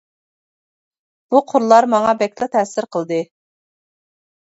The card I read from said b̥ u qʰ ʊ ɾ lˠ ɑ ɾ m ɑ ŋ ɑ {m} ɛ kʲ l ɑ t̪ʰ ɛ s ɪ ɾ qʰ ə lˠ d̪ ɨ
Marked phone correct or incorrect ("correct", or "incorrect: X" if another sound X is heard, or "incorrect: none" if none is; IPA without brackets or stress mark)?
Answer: incorrect: b